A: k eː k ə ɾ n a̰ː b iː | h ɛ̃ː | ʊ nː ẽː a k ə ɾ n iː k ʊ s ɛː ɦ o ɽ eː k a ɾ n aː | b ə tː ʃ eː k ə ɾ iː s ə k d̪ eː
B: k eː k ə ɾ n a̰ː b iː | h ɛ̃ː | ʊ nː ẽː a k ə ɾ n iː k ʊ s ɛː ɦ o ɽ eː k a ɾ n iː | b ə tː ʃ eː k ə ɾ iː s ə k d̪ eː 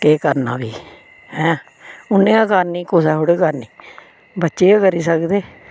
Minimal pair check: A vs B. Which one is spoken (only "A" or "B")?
B